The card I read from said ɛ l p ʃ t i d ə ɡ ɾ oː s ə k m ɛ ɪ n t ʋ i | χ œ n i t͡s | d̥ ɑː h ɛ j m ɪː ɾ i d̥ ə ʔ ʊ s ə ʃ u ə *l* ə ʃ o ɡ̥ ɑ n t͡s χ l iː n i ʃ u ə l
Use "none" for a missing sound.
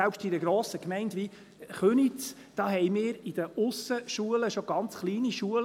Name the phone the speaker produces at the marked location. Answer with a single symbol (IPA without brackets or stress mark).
l